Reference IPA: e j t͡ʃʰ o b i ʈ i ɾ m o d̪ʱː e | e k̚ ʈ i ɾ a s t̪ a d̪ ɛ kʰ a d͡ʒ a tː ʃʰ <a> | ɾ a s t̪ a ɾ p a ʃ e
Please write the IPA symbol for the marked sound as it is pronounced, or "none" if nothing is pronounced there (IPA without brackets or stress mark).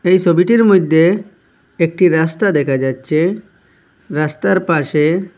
e